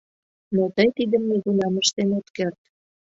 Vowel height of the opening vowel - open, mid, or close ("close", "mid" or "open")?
mid